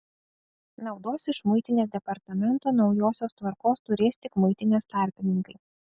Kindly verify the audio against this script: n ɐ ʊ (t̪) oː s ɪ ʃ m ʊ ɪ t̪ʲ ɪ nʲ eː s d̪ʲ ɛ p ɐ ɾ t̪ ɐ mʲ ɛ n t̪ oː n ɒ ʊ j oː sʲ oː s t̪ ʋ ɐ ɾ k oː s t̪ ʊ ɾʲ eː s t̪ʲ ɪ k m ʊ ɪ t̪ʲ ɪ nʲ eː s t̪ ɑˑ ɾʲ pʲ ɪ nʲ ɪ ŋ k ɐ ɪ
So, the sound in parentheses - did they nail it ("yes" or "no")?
no